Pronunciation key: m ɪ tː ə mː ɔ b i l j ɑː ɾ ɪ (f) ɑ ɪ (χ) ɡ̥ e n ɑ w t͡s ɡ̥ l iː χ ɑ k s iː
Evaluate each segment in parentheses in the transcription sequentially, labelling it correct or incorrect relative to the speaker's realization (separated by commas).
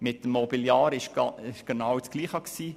incorrect, incorrect